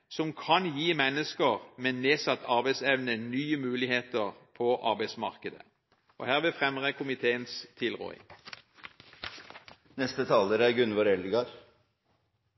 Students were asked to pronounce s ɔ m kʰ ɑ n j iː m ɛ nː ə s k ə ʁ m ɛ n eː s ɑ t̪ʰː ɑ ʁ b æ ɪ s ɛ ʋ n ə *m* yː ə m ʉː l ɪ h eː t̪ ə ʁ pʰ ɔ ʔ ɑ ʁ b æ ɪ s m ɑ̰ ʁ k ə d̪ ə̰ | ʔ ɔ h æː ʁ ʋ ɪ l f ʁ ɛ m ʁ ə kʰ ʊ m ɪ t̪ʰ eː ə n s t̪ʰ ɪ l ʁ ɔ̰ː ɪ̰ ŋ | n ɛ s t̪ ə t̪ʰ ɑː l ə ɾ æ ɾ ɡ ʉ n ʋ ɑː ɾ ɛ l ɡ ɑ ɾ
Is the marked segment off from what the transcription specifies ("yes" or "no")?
yes